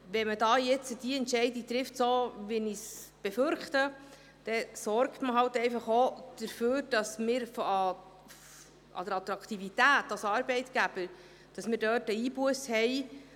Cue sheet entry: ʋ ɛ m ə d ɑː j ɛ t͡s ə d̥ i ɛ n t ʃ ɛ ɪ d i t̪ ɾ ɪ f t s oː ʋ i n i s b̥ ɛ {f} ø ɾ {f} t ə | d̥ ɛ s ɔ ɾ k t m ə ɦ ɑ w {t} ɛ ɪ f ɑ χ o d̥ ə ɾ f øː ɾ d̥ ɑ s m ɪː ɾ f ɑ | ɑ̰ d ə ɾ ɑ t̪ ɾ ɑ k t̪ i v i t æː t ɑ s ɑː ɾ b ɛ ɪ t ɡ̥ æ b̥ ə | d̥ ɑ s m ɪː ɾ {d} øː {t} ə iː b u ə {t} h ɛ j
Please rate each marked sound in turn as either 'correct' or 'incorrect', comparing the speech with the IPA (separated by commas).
correct, incorrect, correct, correct, correct, incorrect